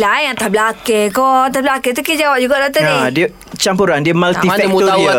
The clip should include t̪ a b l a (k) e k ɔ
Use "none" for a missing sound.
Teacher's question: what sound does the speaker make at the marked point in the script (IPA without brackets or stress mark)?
k